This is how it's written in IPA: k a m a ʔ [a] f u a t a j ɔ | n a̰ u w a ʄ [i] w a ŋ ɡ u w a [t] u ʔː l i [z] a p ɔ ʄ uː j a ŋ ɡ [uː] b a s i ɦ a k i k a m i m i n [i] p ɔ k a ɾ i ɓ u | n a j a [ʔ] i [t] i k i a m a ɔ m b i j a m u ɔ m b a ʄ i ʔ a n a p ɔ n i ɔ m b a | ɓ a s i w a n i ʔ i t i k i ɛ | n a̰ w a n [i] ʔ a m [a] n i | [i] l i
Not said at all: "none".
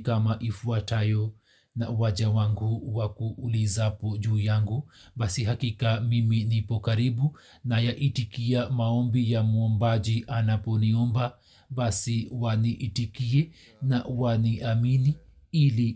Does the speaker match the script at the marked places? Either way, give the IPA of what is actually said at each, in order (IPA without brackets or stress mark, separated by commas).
i, a, k, z, u, i, ʔ, t, i, i, i